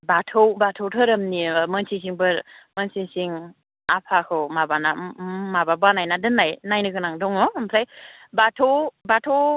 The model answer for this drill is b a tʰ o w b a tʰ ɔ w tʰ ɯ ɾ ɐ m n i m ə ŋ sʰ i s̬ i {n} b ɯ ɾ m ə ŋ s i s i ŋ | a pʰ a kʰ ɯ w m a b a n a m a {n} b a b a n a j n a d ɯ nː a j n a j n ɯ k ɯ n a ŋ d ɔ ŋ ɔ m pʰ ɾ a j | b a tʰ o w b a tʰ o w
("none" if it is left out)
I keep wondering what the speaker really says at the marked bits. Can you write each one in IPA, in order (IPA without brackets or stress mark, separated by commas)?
ŋ, none